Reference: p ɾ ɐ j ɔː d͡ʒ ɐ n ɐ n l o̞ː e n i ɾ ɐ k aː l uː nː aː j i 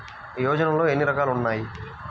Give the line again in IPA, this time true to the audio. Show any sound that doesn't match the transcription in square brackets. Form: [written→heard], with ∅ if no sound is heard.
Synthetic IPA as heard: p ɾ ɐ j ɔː d͡ʒ ɐ n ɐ [n→m] l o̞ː e [n→nː] i ɾ ɐ k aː l [uː→u] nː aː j i